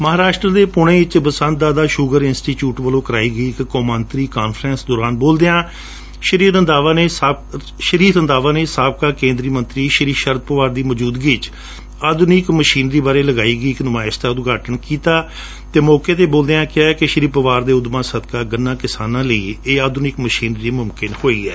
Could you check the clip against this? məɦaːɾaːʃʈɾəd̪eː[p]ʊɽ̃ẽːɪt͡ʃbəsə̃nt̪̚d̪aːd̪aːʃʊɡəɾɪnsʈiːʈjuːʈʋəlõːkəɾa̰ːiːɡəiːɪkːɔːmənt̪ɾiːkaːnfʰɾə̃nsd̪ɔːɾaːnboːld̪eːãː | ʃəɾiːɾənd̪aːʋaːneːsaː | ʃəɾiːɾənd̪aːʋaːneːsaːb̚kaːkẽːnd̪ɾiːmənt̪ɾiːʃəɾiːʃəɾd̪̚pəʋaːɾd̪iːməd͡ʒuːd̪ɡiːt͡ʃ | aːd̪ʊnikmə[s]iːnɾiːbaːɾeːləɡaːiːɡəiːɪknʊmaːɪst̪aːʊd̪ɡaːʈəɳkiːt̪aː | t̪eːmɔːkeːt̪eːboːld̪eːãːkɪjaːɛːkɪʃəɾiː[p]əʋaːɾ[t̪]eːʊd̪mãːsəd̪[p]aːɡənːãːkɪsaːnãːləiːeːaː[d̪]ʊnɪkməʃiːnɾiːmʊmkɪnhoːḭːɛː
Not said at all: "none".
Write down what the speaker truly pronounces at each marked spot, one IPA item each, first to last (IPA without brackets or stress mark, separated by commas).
p, ʃ, p, d̪, k, d̪